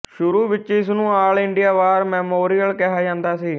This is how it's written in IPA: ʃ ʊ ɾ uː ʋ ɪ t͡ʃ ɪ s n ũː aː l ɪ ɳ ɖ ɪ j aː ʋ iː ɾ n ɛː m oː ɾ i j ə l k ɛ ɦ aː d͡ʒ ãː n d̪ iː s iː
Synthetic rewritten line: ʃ ʊ ɾ uː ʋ ɪ t͡ʃ ɪ s n ũː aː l ɪ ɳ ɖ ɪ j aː ʋ aː ɾ m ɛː m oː ɾ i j ə l k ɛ ɦ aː d͡ʒ ãː n d̪ aː s iː